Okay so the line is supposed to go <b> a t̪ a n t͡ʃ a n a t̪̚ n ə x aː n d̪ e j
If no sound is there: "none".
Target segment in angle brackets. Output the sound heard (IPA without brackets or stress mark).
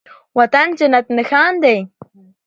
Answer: w